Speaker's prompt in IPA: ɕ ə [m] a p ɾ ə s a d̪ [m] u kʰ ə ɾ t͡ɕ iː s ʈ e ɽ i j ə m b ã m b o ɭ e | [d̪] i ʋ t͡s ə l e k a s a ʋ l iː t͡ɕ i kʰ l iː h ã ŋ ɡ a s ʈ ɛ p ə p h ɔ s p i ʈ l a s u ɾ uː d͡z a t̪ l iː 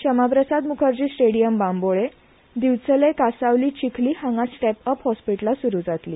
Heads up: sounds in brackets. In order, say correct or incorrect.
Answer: correct, correct, correct

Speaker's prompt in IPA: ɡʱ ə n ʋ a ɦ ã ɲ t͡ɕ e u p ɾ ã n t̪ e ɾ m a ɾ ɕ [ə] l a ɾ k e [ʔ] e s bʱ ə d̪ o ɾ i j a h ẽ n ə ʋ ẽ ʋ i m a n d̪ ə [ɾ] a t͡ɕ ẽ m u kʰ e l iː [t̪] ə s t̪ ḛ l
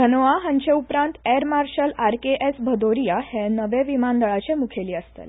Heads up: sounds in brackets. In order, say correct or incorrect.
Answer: correct, correct, incorrect: ɭ, incorrect: none

